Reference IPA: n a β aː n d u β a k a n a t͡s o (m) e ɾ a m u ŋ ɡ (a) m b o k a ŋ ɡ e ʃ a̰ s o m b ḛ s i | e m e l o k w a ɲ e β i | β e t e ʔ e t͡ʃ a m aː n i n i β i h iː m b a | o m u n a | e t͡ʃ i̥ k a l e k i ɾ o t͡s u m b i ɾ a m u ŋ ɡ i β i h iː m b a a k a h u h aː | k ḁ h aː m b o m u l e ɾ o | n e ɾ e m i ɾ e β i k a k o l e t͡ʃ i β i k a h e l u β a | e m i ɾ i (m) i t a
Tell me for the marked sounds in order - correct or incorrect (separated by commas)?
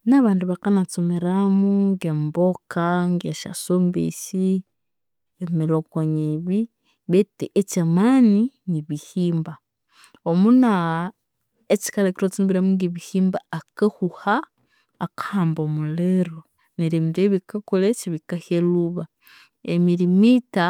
correct, incorrect, correct